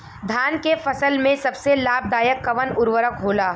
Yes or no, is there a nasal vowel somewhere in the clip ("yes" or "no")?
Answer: yes